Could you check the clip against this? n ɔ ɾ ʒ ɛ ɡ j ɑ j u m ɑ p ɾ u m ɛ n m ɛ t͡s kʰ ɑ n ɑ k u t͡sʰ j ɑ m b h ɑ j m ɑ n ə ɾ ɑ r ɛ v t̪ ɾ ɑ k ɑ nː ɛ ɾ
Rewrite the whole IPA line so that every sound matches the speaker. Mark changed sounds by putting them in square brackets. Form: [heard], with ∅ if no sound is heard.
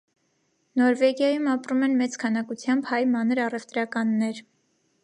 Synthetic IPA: n ɔ ɾ [v] ɛ ɡ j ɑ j u m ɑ p ɾ u m ɛ n m ɛ t͡s kʰ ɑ n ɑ k u t͡sʰ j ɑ m b h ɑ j m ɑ n ə ɾ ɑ r ɛ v t̪ ɾ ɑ k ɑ nː ɛ ɾ

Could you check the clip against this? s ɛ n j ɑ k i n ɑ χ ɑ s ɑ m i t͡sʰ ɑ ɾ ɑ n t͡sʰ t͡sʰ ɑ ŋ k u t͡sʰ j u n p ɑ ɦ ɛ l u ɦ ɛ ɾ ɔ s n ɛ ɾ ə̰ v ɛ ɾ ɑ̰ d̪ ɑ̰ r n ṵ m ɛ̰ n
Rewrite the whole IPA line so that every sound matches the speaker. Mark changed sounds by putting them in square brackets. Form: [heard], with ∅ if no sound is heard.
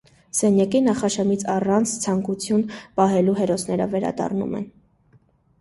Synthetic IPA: s ɛ n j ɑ k i n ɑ χ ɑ [ʃ] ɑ m i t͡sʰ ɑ [r] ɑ n t͡sʰ t͡sʰ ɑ ŋ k u t͡sʰ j u n p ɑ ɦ ɛ l u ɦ ɛ ɾ ɔ s n ɛ ɾ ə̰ v ɛ ɾ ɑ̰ d̪ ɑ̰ r n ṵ m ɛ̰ n

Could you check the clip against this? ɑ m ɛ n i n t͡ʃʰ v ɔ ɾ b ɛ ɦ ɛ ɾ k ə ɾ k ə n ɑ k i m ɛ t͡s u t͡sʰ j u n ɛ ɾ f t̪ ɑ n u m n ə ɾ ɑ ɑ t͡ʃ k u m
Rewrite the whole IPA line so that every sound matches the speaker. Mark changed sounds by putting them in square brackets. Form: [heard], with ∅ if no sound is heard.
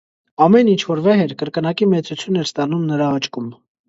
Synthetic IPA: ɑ m ɛ n i n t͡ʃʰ v ɔ ɾ [v] ɛ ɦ ɛ ɾ k ə ɾ k ə n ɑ k i m ɛ t͡s u t͡sʰ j u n ɛ ɾ [s] t̪ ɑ n u m n ə ɾ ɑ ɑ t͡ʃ k u m

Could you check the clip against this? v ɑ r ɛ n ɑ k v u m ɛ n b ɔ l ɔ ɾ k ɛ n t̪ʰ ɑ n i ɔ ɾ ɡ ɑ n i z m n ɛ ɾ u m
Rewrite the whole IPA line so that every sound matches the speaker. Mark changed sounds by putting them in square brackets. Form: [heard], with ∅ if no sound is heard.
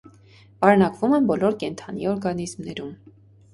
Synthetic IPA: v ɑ [ɾ] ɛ n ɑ k v u m ɛ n b ɔ l ɔ ɾ k ɛ n t̪ʰ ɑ n i ɔ ɾ ɡ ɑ n i z m n ɛ ɾ u m

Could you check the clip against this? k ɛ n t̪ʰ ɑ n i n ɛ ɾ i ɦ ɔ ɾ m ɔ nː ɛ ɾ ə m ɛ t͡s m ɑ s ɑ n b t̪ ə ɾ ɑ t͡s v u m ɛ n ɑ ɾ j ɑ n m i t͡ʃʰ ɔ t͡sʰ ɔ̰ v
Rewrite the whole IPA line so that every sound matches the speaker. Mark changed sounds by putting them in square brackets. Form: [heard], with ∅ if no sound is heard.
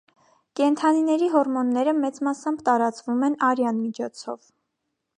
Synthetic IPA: k ɛ n t̪ʰ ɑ n i n ɛ ɾ i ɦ ɔ ɾ m ɔ nː ɛ ɾ ə m ɛ t͡s m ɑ s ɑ [m] b t̪ [ɑ] ɾ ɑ t͡s v u m ɛ n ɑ ɾ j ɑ n m i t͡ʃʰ ɔ t͡sʰ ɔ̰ v

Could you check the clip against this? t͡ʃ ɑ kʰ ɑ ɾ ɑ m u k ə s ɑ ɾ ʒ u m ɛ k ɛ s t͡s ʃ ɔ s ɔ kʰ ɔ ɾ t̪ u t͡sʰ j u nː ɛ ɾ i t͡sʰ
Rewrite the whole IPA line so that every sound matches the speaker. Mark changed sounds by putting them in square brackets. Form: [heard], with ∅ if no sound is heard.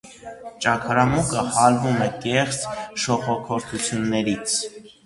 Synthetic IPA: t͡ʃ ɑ kʰ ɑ ɾ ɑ m u k ə [h] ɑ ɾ [v] u m ɛ k ɛ [χ] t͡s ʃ ɔ [χ] ɔ kʰ ɔ ɾ [t̪ʰ] u t͡sʰ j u nː ɛ ɾ i t͡sʰ

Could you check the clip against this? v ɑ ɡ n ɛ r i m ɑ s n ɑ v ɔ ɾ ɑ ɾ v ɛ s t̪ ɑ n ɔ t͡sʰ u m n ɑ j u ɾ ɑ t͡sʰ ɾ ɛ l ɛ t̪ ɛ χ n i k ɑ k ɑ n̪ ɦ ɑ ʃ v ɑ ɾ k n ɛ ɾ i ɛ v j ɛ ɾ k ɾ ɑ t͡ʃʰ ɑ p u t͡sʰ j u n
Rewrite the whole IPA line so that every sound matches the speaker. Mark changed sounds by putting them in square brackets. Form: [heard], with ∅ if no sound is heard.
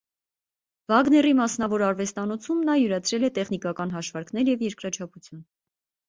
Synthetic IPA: v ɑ ɡ n ɛ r i m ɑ s n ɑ v ɔ ɾ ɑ ɾ v ɛ s t̪ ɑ n ɔ t͡sʰ u m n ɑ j u ɾ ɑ t͡sʰ ɾ ɛ l ɛ t̪ ɛ χ n i k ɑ k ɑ n̪ ɦ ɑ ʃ v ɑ ɾ k n ɛ ɾ [j] ɛ v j ɛ ɾ k ɾ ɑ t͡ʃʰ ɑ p u t͡sʰ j u n

